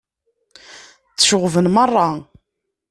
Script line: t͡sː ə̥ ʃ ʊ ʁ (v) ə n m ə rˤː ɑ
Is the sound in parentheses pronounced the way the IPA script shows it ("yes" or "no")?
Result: yes